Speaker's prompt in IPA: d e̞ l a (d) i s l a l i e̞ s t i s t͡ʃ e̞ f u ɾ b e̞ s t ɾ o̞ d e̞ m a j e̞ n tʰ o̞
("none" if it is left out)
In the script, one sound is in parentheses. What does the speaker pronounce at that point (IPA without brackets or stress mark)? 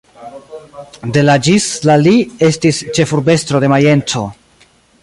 d͡ʒ